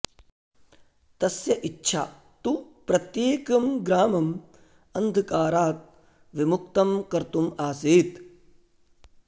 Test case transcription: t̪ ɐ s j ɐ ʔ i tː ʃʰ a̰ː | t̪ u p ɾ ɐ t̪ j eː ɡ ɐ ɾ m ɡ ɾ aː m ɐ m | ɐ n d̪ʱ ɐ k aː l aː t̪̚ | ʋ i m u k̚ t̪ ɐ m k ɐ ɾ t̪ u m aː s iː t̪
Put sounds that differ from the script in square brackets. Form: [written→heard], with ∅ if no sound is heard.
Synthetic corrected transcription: t̪ ɐ s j ɐ ʔ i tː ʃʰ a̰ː | t̪ u p ɾ ɐ t̪ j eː [ɡ→k] ɐ [ɾ→∅] m ɡ ɾ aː m ɐ m | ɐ n d̪ʱ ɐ k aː [l→ɾ] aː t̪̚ | ʋ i m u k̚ t̪ ɐ m k ɐ ɾ t̪ u m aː s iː t̪